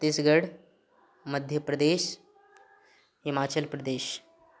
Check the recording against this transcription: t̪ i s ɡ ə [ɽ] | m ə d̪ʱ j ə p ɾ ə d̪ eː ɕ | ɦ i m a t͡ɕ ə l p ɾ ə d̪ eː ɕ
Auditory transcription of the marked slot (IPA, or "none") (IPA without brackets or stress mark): ɽ